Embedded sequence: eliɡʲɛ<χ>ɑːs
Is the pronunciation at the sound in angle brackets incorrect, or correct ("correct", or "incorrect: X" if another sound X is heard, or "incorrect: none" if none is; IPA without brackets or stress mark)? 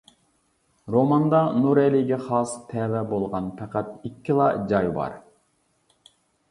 correct